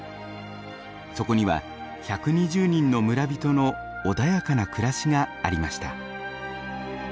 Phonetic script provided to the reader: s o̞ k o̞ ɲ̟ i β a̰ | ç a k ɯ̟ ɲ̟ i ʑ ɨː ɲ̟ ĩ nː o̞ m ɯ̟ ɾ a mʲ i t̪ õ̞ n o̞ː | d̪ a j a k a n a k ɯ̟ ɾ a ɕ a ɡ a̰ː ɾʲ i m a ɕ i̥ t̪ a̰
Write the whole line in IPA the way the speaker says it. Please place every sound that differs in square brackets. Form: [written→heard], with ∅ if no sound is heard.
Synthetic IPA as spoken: s o̞ k o̞ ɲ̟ i β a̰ | ç a k ɯ̟ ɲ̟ i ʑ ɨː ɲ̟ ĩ nː o̞ m ɯ̟ ɾ a [mʲ→bʲ] i t̪ [õ̞→o̞] n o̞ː | d̪ a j a k a n a k ɯ̟ ɾ a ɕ [a→i] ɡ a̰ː ɾʲ i m a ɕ i̥ t̪ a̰